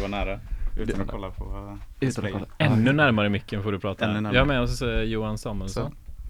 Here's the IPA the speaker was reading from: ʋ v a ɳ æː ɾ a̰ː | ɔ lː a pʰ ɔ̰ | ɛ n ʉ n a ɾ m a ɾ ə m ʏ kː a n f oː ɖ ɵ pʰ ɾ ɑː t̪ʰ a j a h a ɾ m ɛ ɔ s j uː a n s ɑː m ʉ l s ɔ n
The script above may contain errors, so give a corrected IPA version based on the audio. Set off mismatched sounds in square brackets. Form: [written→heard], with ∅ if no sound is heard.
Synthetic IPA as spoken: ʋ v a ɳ æː ɾ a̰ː | ɔ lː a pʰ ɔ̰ | ɛ [n→nː] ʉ n [a→æ] ɾ m a ɾ ə m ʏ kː [a→ə] n f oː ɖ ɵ pʰ ɾ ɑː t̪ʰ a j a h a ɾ m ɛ ɔ s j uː a n s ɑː m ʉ l s ɔ n